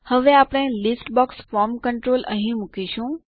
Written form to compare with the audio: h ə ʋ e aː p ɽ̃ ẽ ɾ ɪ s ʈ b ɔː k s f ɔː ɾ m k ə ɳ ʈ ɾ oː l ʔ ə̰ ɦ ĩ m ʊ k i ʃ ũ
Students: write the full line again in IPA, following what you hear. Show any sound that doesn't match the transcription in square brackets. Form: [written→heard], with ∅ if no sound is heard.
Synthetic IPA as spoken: h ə ʋ e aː p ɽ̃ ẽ [ɾ→l] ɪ s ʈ b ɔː k s f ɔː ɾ m k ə ɳ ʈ ɾ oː l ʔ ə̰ ɦ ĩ m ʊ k i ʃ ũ